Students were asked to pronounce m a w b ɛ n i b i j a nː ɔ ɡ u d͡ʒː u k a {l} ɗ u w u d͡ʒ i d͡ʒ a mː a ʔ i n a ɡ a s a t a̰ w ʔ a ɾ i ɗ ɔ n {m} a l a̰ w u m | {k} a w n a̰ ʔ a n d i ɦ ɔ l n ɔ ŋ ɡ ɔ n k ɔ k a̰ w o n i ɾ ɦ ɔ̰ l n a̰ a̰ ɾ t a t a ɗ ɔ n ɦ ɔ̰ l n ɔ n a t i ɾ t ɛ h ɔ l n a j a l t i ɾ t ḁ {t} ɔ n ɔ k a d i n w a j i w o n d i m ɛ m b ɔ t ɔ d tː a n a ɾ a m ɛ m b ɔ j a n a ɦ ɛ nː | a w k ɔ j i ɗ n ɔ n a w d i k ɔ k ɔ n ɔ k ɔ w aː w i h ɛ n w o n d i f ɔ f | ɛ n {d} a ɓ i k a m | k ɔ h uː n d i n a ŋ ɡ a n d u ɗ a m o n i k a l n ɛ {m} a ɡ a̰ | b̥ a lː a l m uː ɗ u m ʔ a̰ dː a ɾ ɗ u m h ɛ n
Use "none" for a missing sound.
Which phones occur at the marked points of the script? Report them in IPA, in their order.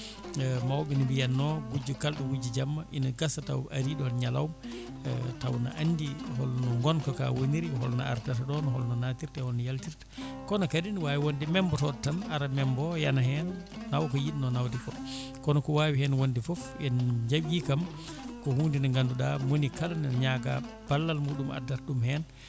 l, ɲ, t, k, d͡ʒ, ɲ

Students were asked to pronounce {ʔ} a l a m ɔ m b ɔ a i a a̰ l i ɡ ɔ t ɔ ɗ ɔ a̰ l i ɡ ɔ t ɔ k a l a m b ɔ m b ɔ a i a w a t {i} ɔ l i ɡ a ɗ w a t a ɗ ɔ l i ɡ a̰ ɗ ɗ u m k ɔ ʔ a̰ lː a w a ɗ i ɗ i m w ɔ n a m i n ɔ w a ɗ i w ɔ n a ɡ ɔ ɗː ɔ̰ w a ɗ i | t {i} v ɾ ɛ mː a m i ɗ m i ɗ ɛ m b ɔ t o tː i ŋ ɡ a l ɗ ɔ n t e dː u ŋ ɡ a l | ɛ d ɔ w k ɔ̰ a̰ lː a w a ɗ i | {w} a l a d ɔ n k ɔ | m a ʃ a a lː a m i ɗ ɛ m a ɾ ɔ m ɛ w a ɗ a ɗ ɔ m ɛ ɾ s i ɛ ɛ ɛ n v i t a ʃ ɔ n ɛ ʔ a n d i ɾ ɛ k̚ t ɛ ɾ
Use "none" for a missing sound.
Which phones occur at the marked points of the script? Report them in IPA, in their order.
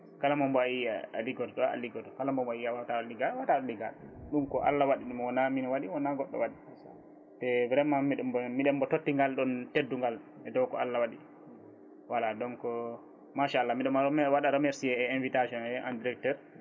k, a, ɛ, w

